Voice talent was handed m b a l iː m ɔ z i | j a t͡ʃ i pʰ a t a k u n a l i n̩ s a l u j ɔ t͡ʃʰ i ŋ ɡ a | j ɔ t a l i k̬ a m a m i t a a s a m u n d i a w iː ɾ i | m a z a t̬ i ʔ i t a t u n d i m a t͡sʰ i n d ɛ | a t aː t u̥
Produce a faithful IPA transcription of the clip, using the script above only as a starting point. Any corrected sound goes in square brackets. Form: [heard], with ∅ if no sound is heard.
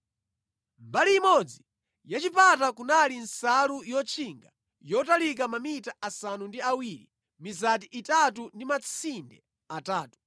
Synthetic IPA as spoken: m b a l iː m ɔ [d͡z] i | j a t͡ʃ i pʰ a t a k u n a l i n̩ s a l u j ɔ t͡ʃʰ i ŋ ɡ a | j ɔ t a l i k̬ a m a m i t a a s a [n] u n d i a w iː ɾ i | m [i] z a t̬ i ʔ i t a t u n d i m a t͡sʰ i n d ɛ | a t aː t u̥